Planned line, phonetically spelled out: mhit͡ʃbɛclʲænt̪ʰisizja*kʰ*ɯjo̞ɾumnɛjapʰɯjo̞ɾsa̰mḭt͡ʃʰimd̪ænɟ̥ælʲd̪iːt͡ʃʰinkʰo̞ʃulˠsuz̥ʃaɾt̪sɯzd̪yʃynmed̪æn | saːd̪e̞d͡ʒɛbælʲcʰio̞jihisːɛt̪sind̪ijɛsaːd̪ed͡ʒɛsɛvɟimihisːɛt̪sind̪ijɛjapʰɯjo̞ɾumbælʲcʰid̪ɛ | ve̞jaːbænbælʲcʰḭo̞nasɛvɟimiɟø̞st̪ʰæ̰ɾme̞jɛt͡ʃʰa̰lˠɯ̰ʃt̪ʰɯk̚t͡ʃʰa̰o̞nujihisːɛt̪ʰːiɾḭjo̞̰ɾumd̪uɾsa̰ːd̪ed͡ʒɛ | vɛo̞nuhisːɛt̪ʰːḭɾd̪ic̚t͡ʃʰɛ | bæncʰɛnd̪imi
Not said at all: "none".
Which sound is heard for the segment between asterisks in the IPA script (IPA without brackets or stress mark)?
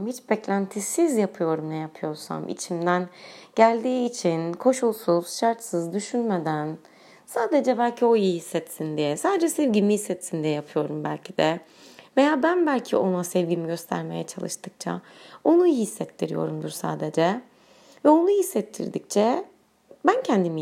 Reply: pʰ